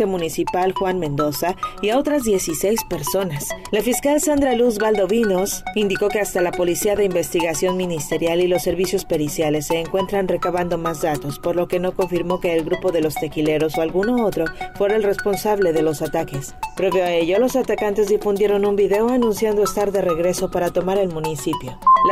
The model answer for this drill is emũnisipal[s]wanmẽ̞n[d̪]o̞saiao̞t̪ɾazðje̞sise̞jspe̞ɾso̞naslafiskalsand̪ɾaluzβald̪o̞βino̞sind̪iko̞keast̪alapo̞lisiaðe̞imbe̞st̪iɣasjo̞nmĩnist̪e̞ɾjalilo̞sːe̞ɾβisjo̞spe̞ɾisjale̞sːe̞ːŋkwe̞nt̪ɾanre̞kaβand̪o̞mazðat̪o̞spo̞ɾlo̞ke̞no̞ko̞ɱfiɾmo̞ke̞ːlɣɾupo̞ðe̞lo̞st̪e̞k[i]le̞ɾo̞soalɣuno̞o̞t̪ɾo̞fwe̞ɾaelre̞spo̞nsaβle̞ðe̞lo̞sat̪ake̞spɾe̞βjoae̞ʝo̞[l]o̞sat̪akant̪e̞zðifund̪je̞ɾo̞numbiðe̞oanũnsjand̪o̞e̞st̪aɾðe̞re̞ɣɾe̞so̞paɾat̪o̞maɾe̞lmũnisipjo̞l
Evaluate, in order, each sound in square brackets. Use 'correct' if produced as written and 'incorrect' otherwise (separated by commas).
incorrect, correct, correct, correct